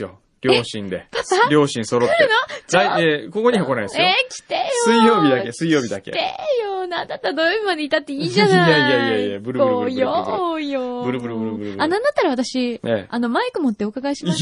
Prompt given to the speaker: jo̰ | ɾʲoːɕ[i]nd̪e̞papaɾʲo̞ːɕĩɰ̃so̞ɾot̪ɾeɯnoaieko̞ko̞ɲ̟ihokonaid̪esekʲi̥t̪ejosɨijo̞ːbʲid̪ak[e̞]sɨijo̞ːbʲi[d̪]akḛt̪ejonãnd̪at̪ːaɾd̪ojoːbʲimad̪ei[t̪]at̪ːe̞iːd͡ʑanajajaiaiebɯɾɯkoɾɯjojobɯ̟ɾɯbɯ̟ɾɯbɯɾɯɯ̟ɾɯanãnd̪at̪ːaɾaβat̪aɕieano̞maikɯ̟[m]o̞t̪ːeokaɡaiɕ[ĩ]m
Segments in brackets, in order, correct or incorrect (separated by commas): incorrect, correct, correct, correct, correct, incorrect